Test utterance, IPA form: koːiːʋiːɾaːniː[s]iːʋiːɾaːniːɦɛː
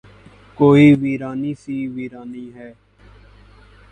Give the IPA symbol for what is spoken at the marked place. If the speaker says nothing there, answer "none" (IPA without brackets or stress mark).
s